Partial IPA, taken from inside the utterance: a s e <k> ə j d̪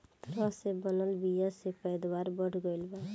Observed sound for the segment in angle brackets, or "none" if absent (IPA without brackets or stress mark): p